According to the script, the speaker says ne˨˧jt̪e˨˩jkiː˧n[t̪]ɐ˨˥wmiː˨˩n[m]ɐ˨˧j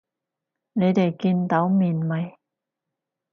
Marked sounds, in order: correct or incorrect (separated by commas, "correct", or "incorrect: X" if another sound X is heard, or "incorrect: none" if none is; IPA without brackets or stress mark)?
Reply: correct, correct